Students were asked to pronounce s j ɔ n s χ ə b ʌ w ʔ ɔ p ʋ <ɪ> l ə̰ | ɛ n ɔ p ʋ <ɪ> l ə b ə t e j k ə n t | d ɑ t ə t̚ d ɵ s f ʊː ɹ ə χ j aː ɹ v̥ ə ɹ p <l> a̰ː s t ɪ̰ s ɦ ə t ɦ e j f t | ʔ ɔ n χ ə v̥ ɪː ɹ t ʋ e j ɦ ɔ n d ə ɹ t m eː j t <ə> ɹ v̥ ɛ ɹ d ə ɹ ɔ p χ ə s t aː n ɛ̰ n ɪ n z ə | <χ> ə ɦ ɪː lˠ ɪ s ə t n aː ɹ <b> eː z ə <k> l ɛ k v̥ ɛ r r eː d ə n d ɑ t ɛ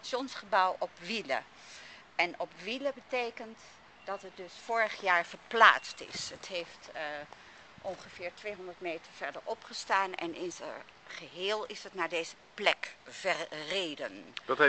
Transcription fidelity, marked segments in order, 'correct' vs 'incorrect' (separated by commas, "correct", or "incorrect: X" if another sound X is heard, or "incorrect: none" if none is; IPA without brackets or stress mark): incorrect: i, incorrect: i, correct, correct, correct, incorrect: d, incorrect: p